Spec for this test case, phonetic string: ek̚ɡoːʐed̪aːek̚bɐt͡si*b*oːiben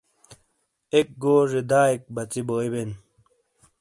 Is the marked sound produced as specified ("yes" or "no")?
yes